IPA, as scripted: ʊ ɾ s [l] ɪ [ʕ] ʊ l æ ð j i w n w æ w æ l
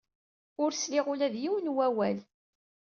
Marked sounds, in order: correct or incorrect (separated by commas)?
correct, incorrect